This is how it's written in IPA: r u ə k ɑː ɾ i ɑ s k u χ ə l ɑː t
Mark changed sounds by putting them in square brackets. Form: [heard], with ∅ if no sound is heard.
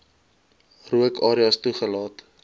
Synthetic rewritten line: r u ə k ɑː ɾ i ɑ s [t] u χ ə l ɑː t